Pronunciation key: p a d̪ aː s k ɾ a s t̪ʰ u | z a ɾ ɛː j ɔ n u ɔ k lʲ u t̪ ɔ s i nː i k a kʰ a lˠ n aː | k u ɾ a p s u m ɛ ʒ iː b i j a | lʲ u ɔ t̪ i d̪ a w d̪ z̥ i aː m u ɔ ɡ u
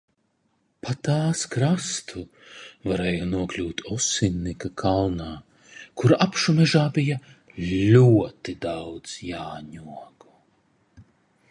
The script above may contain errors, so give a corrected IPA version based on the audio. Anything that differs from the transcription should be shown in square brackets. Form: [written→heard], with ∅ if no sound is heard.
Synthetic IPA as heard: p a [d̪→t̪] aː s k ɾ a s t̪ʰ u | [z→v] a ɾ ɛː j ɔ n u ɔ k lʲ [u→uː] t̪ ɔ s i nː i k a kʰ a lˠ n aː | k u ɾ a p [s→ʃ] u m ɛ ʒ [iː→aː] b i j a | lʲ u ɔ t̪ i d̪ a w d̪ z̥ [i→j] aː [m→ɲ] u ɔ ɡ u